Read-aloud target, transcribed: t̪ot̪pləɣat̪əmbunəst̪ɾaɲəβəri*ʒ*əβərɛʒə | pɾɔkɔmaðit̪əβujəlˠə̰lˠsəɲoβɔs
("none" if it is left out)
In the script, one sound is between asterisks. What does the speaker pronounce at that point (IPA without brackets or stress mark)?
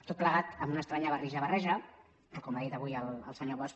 ʒ